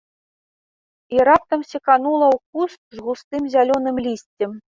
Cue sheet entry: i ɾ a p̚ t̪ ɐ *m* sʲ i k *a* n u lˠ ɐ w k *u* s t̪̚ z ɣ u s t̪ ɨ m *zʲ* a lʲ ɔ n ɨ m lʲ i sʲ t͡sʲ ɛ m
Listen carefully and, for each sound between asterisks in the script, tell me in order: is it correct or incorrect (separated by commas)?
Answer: correct, correct, correct, correct